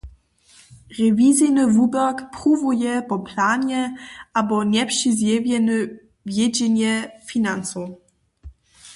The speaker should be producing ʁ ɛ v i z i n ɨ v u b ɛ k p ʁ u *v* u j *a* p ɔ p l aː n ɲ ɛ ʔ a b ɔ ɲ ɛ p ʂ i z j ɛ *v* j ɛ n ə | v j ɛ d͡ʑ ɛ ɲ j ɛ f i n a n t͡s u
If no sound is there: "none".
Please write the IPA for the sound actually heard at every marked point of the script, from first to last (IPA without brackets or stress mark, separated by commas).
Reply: v, ɛ, v